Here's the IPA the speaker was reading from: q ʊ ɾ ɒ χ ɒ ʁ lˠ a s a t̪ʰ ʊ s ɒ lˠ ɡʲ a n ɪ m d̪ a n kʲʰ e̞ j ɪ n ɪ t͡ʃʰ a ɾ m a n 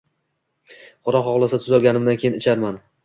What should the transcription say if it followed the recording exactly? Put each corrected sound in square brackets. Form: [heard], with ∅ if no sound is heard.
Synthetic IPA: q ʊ ɾ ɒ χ ɒ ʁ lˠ a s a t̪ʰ ʊ [z] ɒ lˠ ɡʲ a n ɪ m d̪ a n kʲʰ e̞ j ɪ n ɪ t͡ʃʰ a ɾ m a n